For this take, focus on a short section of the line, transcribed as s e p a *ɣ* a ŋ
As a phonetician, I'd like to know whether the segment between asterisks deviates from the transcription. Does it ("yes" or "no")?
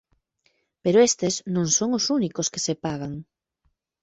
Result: no